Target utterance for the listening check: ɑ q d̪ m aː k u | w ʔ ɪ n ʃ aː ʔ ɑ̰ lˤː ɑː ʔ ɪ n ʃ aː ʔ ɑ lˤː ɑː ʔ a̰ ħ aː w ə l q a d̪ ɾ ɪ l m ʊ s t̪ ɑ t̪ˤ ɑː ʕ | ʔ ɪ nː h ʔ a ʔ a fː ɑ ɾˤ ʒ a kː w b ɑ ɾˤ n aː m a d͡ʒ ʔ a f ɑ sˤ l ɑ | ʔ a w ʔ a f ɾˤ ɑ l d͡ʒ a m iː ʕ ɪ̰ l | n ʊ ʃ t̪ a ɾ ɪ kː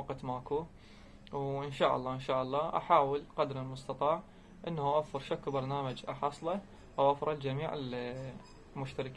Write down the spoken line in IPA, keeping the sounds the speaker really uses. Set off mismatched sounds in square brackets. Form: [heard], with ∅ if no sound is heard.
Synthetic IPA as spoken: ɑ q [t̪] m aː k u | w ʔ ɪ n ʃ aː ʔ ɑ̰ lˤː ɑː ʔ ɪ n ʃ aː ʔ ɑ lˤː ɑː ʔ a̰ ħ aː w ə l q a d̪ ɾ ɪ l m ʊ s t̪ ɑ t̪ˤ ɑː ʕ | ʔ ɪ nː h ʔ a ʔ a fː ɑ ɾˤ [ʃ] a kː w b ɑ ɾˤ n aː m a d͡ʒ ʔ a [ħ] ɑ sˤ l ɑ | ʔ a w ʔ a f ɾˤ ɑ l d͡ʒ a m iː ʕ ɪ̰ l | [m] ʊ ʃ t̪ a ɾ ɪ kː